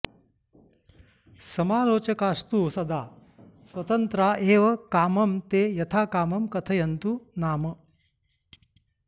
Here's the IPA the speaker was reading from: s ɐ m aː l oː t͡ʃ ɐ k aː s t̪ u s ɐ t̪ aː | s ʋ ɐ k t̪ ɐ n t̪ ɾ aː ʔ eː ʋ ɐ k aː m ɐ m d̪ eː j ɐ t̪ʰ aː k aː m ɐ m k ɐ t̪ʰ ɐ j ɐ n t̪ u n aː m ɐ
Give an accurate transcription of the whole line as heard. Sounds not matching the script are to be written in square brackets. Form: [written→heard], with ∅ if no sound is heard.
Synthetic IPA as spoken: s ɐ m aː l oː t͡ʃ ɐ k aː s t̪ u s ɐ [t̪→d̪] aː | s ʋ ɐ [k→∅] t̪ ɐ n t̪ ɾ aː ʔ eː ʋ ɐ k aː m ɐ m [d̪→t̪] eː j ɐ t̪ʰ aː k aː m ɐ m k ɐ t̪ʰ ɐ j ɐ n t̪ u n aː m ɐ